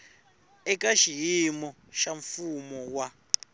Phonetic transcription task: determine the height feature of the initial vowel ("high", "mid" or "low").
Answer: mid